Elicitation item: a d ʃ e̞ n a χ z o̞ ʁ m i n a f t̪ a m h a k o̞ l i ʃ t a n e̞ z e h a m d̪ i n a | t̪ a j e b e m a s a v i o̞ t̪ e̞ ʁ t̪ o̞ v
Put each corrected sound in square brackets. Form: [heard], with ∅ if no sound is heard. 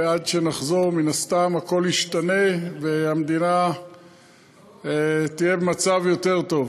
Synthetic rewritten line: a d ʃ e̞ n a χ z o̞ ʁ m i n a [s] t̪ a m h a k o̞ l i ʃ t a n e̞ [v] e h a m d̪ i n a | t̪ [i] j e b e m a [t͡s] a v [j] o̞ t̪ e̞ ʁ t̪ o̞ v